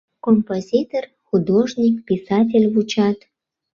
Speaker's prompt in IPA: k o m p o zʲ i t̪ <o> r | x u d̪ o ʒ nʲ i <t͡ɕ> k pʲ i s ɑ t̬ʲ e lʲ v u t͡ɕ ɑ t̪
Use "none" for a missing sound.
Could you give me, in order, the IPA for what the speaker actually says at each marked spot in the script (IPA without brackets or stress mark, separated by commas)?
o, none